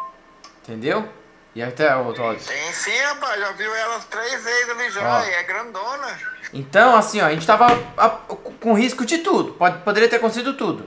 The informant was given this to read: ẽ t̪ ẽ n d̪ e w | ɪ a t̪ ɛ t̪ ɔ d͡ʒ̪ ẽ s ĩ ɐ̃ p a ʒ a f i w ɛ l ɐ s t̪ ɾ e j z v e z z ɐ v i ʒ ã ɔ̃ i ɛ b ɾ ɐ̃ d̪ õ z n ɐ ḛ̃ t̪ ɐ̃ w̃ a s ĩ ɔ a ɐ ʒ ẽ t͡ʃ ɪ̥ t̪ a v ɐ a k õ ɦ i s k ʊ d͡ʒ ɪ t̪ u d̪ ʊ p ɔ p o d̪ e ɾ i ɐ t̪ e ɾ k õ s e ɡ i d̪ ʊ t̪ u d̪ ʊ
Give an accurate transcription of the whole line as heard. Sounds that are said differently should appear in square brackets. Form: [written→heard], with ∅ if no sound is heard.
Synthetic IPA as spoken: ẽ t̪ ẽ n d̪ e w | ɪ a t̪ ɛ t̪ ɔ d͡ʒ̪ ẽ s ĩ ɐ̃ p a ʒ a [f→v] i w ɛ l ɐ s t̪ ɾ e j z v e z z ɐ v i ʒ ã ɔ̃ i ɛ [b→ɡ] ɾ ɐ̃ d̪ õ [z→∅] n ɐ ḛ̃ t̪ ɐ̃ w̃ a s ĩ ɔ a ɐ ʒ ẽ t͡ʃ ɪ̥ t̪ a v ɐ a k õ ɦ i s k ʊ d͡ʒ ɪ t̪ u d̪ ʊ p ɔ p o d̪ e ɾ i ɐ t̪ e ɾ k õ s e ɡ i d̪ ʊ t̪ u d̪ ʊ